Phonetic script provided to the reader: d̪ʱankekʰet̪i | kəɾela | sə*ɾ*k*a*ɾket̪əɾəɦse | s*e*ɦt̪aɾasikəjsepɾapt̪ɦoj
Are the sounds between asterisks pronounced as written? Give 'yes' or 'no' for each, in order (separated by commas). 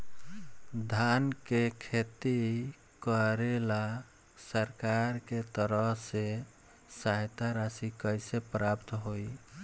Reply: yes, yes, no